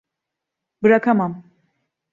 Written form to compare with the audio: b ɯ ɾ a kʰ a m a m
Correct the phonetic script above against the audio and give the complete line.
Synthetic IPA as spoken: b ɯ ɾ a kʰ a m a m